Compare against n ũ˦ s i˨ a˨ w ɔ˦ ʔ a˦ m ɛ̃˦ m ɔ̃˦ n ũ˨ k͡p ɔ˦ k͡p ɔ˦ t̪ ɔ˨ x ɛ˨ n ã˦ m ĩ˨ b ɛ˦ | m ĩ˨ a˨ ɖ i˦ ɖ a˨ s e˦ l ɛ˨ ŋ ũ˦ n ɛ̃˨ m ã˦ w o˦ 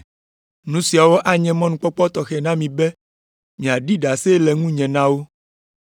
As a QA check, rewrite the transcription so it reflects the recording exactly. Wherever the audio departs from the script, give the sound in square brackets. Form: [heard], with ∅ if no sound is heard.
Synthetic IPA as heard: n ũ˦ s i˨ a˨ w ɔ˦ ʔ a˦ [ɲ] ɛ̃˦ m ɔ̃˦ n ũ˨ k͡p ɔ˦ k͡p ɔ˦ t̪ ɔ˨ x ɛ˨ n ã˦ m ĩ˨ b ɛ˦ | m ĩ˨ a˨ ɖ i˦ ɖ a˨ s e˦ l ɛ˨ ŋ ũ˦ [ɲ] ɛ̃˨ [n] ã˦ w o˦

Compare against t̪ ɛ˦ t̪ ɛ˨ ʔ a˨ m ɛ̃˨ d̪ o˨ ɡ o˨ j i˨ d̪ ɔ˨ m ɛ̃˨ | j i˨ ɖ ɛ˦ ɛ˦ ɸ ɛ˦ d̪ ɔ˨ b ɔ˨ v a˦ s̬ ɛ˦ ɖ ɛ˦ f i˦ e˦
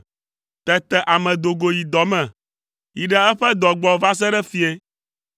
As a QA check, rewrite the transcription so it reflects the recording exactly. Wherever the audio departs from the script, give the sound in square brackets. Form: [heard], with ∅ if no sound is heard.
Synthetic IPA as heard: t̪ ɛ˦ t̪ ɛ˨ ʔ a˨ m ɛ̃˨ d̪ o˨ ɡ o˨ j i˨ d̪ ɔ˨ m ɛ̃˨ | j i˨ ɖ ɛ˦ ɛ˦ ɸ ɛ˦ d̪ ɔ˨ [ɡ͡b] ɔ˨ v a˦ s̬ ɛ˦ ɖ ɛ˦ f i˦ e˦

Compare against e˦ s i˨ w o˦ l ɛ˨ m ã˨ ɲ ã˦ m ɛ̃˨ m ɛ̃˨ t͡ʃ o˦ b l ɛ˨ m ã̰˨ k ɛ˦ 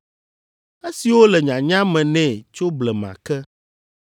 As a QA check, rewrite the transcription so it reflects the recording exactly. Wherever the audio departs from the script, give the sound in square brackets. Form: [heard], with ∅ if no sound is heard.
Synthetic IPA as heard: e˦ s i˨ w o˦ l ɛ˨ [ɲ] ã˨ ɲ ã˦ m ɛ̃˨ [n] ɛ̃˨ t͡ʃ o˦ b l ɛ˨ m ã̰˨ k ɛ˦

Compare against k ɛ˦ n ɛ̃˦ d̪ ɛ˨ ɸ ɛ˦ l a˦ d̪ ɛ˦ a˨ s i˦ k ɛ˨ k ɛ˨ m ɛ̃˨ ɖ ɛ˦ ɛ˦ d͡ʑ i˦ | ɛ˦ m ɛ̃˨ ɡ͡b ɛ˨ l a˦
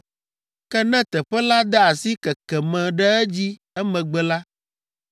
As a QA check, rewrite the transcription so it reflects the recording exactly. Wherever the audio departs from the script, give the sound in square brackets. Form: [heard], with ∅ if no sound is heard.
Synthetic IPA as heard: k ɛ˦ n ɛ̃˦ [t̪] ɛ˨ ɸ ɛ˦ l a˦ d̪ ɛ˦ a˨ s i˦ k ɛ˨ k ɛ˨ m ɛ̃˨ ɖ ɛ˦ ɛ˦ d͡ʑ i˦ | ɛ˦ m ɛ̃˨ ɡ͡b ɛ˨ l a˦

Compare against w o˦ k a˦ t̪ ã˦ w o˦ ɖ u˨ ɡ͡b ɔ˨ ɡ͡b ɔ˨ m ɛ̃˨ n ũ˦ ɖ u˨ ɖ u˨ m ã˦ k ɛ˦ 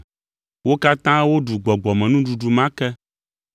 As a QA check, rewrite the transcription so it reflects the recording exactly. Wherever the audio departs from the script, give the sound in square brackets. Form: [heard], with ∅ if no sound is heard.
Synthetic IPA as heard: w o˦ k a˦ t̪ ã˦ w o˦ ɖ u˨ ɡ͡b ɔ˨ ɡ͡b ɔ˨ m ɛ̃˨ n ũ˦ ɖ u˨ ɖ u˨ m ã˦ k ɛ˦

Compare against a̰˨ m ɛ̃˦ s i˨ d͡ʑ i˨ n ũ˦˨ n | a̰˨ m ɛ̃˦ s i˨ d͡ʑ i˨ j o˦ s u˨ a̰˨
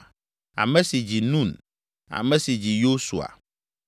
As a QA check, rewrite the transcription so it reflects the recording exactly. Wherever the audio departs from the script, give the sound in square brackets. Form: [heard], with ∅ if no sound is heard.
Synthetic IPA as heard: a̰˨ m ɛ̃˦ s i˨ d͡ʑ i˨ n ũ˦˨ n | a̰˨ m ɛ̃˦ s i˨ d͡ʑ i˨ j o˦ s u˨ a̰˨

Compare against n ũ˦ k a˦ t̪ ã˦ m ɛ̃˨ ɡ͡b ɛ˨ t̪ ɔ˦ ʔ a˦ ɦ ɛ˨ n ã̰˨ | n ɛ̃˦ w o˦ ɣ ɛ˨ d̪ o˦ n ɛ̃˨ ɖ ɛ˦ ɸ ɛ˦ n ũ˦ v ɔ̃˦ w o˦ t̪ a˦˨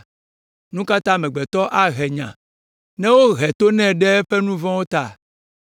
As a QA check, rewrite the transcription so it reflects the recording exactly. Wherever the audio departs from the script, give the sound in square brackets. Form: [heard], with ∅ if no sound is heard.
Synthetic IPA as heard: n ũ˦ k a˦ t̪ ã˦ m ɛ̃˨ ɡ͡b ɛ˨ t̪ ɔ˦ ʔ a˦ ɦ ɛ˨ [ɲ] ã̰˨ | n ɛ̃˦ w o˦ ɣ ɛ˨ [t̪] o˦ n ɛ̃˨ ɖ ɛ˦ ɸ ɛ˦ n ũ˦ v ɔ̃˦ w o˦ t̪ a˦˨

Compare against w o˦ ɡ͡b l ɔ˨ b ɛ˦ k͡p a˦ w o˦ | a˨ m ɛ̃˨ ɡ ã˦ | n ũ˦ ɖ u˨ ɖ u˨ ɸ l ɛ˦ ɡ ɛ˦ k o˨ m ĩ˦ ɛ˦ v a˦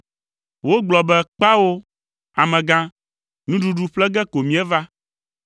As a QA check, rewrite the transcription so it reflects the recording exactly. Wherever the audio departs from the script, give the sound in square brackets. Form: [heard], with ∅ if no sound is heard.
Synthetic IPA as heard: w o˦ ɡ͡b l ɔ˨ b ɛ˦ k͡p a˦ w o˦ | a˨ m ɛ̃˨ ɡ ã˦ | n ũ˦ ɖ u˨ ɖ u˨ ɸ l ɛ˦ ɡ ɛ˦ k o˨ m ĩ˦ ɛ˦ v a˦

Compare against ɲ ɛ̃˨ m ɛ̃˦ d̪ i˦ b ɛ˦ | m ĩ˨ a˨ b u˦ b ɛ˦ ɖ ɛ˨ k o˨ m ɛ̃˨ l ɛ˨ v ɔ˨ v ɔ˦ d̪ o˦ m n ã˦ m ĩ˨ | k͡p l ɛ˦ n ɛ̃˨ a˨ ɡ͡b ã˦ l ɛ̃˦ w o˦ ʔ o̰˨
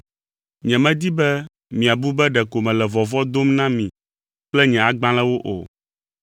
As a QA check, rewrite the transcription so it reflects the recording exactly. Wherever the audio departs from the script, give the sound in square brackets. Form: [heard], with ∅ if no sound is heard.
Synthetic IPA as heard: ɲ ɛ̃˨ m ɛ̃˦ d̪ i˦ b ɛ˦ | m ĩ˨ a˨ b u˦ b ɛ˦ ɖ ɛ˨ k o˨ m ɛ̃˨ l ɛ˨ v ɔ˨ v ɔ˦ d̪ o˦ m n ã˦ m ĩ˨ | k͡p l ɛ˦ [ɲ] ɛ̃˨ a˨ ɡ͡b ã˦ l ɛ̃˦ w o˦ ʔ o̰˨

